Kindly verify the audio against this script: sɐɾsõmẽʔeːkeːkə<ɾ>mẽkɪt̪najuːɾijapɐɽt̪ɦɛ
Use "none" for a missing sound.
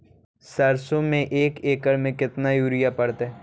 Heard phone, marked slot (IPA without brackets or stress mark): ɾ